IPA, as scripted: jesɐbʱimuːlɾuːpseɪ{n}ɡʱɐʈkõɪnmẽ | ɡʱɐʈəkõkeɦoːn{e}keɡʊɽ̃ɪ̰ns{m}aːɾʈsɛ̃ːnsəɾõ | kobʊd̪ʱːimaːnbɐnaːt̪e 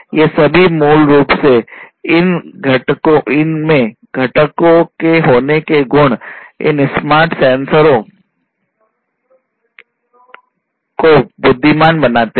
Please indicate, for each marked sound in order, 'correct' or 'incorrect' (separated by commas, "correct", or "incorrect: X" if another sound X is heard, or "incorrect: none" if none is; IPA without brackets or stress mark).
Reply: correct, correct, correct